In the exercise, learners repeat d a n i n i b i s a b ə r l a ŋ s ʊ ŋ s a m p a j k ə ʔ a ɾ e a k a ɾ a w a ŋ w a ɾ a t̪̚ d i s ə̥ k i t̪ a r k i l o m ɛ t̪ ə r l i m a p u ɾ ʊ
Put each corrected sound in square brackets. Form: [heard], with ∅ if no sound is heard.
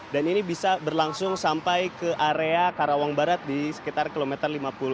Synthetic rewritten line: d a n i n i b i s a b ə r l a ŋ s ʊ ŋ s a m p a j k ə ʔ a ɾ e a k a ɾ a w a ŋ [b] a ɾ a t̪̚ d i s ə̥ k i t̪ a r k i l o m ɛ t̪ ə r l i m a p u [l] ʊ